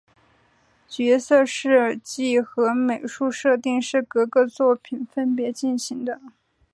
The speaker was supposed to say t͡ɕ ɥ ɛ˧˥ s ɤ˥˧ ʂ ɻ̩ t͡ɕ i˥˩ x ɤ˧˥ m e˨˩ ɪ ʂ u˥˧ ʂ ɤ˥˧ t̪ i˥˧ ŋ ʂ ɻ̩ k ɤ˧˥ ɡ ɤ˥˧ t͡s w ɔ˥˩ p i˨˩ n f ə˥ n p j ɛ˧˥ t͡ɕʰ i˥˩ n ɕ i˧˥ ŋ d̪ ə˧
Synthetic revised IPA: t͡ɕ ɥ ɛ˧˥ s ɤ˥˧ ʂ ɻ̩ t͡ɕ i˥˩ x ɤ˧˥ m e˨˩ ɪ ʂ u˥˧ ʂ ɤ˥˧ t̪ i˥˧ ŋ ʂ ɻ̩ k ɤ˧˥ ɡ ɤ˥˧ t͡s w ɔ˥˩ pʰ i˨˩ n f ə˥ n p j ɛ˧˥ t͡ɕ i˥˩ n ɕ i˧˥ ŋ d̪ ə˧